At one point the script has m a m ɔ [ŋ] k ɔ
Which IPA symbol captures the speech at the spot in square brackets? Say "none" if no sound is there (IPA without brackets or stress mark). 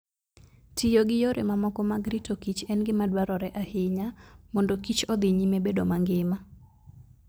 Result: none